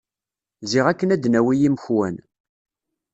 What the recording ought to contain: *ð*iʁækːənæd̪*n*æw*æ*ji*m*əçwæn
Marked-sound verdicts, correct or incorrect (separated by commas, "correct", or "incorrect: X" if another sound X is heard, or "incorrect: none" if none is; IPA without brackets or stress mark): incorrect: z, correct, incorrect: i, correct